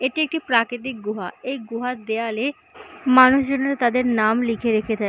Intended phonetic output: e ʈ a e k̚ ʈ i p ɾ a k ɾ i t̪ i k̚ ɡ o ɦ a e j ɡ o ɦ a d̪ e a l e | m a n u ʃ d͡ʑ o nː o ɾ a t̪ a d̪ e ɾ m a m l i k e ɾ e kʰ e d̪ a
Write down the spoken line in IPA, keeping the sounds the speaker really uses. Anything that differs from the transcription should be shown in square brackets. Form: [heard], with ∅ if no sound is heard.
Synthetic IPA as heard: e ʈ [i] e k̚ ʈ i p ɾ a k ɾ i t̪ i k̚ ɡ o ɦ a e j ɡ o ɦ a d̪ e a l e | m a n u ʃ d͡ʑ o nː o ɾ a t̪ a d̪ e ɾ [n] a m l i [kʰ] e ɾ e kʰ e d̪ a